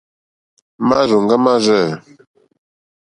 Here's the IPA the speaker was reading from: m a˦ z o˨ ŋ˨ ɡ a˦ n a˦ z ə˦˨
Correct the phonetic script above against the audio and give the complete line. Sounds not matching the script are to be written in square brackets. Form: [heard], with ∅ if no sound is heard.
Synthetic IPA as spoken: m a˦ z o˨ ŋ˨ ɡ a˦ [m] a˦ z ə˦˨